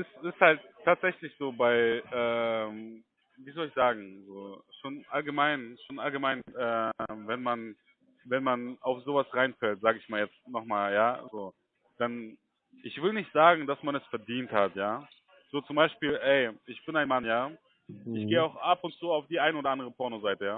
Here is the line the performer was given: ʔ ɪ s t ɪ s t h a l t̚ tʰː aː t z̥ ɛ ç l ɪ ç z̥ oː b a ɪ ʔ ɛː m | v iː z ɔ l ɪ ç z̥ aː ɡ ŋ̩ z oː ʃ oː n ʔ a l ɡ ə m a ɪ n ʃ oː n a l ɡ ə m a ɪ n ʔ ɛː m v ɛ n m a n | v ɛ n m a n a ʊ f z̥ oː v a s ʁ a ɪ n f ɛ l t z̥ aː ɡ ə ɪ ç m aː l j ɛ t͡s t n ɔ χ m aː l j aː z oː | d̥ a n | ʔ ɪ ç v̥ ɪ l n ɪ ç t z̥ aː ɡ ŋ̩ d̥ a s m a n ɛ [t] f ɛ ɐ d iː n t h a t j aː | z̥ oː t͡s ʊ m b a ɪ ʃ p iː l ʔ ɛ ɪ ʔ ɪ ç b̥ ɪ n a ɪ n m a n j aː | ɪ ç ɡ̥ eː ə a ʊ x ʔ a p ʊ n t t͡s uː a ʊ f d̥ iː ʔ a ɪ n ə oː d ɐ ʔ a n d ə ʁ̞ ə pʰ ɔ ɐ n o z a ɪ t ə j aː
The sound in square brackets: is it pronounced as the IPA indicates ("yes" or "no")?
no